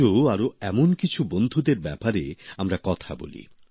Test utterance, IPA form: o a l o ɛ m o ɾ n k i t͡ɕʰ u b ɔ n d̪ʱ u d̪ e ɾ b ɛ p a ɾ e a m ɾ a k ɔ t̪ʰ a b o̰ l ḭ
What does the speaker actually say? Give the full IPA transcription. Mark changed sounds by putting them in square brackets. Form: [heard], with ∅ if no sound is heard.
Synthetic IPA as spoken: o a [ɾ] o ɛ m o [∅] n k i t͡ɕʰ u b [o] n d̪ʱ u d̪ e ɾ b ɛ p a ɾ e a m ɾ a k ɔ t̪ʰ a b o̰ l ḭ